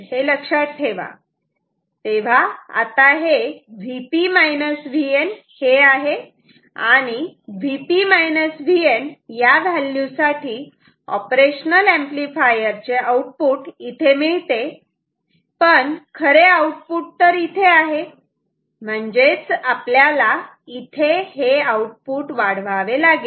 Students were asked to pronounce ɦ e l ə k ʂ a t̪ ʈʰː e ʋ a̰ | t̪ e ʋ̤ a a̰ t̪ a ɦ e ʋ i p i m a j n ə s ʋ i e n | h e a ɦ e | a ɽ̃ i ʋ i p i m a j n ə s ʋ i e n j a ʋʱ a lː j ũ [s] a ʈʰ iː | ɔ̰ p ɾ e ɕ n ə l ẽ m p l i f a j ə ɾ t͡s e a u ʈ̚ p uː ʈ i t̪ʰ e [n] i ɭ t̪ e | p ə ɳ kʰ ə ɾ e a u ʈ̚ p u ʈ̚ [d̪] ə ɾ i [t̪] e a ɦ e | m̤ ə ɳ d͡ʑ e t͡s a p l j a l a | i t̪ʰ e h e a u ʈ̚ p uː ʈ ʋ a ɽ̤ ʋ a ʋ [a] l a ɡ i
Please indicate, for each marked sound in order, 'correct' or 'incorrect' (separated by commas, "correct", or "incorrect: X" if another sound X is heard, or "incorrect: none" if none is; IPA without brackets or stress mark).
correct, incorrect: m, incorrect: t̪, incorrect: t̪ʰ, incorrect: e